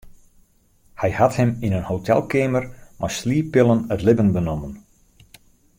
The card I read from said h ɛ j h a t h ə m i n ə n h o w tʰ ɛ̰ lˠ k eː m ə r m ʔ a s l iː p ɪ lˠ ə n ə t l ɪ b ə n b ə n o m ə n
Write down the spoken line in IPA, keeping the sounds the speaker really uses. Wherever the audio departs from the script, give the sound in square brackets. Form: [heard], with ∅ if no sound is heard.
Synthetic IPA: h ɛ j h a t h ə m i n ə n h o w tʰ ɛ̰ lˠ k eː m ə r m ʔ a s l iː p ɪ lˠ ə n ə t l ɪ b ə n b ə n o m ə n